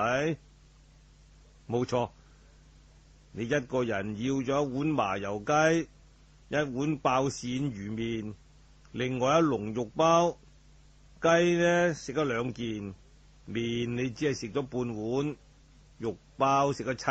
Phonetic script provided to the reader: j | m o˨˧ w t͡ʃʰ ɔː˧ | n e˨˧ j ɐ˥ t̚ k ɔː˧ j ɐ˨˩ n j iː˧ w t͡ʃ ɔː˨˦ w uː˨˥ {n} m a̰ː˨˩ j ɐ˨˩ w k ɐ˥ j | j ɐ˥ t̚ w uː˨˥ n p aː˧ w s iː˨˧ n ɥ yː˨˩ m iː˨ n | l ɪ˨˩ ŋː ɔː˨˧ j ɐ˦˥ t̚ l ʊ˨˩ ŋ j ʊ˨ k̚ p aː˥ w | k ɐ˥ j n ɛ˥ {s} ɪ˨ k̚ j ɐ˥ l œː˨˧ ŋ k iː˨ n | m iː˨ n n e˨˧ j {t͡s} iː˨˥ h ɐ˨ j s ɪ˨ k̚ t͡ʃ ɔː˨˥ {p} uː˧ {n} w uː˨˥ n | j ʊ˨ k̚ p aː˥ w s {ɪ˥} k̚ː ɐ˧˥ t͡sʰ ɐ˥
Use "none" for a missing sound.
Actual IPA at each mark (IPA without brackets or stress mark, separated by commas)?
n, s, t͡s, p, n, ɪ˨